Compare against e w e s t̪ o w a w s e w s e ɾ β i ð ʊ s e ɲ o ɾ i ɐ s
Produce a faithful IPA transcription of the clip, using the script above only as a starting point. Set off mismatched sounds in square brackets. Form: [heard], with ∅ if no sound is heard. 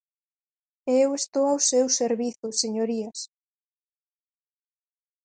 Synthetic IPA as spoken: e w e s t̪ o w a w s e w s e ɾ β i [θ] ʊ s e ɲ o ɾ i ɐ s